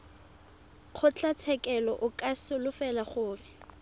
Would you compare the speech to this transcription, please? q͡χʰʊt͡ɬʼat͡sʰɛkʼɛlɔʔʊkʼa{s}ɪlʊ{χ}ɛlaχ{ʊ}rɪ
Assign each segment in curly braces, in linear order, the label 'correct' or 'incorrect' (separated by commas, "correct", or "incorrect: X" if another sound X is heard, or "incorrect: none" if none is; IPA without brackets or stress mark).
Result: correct, incorrect: f, incorrect: ʊː